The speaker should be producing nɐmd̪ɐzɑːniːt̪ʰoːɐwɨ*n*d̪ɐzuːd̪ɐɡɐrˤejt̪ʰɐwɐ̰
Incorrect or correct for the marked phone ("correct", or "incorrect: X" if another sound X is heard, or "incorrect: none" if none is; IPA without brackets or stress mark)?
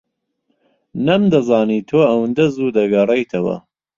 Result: correct